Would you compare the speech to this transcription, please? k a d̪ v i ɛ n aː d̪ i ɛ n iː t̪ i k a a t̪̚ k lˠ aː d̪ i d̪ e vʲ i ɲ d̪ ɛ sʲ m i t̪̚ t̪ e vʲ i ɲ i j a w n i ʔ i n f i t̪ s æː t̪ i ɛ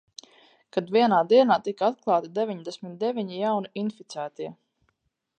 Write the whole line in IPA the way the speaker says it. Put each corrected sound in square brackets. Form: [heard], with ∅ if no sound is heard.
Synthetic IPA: k a d̪ v i ɛ n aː d̪ i ɛ n [aː] t̪ i k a a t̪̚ k lˠ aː [t̪] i d̪ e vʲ i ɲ d̪ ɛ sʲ m i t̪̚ [d̪] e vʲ i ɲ i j a w n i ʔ i n f i t̪ s æː t̪ i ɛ